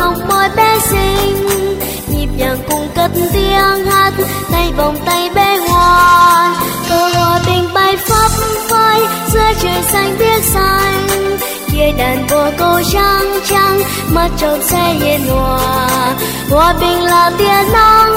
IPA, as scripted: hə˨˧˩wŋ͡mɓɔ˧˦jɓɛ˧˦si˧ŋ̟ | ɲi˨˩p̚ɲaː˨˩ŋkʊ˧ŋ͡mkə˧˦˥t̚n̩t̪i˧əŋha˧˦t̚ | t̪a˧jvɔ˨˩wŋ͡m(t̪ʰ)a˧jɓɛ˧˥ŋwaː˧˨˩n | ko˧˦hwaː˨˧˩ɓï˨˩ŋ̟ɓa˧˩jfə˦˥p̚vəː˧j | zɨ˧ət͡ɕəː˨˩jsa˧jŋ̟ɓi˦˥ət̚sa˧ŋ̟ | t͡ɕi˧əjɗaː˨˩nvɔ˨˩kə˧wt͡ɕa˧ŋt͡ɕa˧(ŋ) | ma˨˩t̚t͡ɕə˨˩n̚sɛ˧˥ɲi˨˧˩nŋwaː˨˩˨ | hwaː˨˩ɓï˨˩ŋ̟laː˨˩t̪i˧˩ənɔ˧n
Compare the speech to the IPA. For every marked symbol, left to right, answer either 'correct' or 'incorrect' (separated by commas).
incorrect, correct